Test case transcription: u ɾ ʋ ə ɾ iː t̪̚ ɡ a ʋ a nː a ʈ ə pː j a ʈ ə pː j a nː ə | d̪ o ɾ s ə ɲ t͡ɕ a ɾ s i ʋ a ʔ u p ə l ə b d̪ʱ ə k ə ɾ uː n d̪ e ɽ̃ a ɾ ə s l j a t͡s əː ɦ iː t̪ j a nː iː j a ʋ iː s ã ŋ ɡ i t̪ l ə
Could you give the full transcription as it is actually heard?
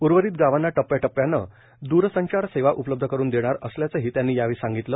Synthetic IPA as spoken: u ɾ ʋ ə ɾ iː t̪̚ ɡ a ʋ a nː a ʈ ə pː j a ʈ ə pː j a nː ə | d̪ u ɾ s ə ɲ t͡ɕ a ɾ s e ʋ a ʔ u p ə l ə b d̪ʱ ə k ə ɾ uː n d̪ e ɽ̃ a ɾ ə s l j a t͡s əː ɦ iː t̪ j a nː iː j a ʋ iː s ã ŋ ɡ i t̪ l ə

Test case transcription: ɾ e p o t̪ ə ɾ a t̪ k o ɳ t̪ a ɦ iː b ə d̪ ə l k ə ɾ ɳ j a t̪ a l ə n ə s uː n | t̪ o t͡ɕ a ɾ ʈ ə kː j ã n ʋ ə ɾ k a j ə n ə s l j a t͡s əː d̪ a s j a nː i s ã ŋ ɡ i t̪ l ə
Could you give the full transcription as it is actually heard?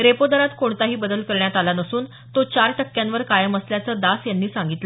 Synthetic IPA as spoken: ɾ e p o d̪ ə ɾ a t̪ k o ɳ t̪ a ɦ iː b ə d̪ ə l k ə ɾ ɳ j a t̪ a l a n ə s uː n | t̪ o t͡ɕ a ɾ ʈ ə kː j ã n ʋ ə ɾ k a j ə m ə s l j a t͡s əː d̪ a s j a nː iː s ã ŋ ɡ i t̪ l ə

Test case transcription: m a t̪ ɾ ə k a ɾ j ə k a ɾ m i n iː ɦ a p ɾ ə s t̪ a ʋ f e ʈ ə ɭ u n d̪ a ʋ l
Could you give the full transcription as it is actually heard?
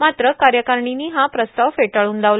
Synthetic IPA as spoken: m a t̪ ɾ ə k a ɾ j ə k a ɾ ɳ i n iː ɦ a p ɾ ə s t̪ a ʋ f e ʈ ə ɭ uː n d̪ a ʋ l

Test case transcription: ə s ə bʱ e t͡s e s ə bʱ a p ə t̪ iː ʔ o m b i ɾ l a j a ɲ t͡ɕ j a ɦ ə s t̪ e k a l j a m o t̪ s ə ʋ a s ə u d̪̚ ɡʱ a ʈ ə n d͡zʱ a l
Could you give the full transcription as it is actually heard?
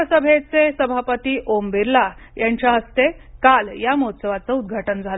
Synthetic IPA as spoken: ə s ə bʱ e t͡s e s ə bʱ a p ə t̪ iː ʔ o m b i ɾ l a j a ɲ t͡ɕ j a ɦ ə s t̪ e k a l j a m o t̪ s ə ʋ a t͡s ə u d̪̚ ɡʱ a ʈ ə n d͡zʱ a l

